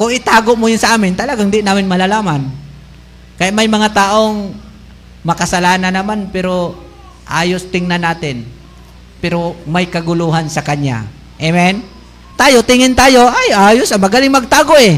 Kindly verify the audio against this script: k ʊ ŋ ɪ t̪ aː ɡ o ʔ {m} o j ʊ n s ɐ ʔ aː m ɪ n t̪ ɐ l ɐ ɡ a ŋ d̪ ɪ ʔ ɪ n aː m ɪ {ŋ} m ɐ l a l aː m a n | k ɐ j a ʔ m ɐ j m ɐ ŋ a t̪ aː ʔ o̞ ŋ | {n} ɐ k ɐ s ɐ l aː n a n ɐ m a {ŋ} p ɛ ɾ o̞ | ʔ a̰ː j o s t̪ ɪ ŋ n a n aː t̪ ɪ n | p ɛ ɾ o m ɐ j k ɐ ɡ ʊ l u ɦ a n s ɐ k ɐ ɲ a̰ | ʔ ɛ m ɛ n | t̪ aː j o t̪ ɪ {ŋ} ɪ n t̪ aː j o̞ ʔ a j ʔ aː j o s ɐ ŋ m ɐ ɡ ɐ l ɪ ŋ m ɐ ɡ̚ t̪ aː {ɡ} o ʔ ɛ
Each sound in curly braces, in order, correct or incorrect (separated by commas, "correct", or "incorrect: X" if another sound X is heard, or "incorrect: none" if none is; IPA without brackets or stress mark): correct, incorrect: n, incorrect: m, incorrect: n, correct, correct